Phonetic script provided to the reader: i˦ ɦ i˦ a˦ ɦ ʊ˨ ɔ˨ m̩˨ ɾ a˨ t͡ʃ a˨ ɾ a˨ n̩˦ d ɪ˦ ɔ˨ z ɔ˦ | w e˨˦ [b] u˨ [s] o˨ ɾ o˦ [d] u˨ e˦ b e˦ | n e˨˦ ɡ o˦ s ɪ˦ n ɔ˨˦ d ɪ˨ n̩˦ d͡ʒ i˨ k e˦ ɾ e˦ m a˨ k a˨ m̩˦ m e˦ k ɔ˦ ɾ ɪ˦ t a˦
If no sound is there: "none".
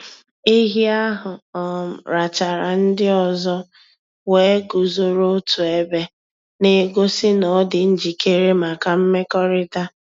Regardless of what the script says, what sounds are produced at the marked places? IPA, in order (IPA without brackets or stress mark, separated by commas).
ɡ, z, t